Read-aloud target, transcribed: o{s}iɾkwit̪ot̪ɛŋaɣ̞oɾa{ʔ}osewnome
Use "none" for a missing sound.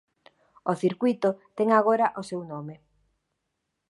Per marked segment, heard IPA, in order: θ, ʔ

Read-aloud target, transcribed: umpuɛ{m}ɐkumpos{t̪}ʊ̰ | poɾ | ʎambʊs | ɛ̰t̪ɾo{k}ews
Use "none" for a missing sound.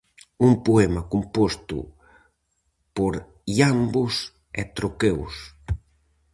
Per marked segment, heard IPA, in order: m, t̪, k

